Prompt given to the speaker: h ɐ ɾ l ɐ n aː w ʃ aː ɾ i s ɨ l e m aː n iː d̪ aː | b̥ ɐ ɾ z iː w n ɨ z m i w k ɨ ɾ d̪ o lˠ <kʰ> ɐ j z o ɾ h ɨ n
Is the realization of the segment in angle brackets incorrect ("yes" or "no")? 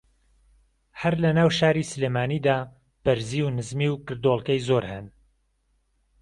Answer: yes